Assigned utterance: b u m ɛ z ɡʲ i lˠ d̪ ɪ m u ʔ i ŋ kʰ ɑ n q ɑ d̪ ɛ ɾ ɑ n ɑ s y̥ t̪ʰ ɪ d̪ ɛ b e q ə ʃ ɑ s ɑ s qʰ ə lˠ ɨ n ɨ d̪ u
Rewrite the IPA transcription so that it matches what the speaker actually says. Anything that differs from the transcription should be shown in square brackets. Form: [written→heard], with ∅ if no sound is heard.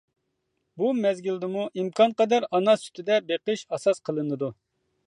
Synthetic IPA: b u m ɛ z ɡʲ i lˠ d̪ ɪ m u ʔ i [ŋ→m] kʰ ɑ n q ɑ d̪ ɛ ɾ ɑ n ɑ s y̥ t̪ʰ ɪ d̪ ɛ b e q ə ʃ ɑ s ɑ s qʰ ə lˠ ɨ n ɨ d̪ u